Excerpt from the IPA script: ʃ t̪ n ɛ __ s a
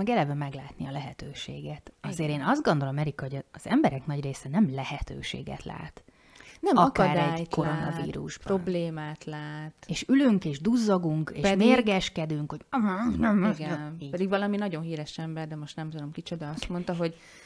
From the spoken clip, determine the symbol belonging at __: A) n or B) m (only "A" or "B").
B